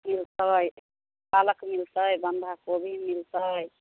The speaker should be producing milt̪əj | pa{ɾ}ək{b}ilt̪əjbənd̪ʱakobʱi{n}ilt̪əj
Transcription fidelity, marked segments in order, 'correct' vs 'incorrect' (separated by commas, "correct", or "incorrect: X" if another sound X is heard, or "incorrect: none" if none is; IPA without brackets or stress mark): incorrect: l, incorrect: m, incorrect: m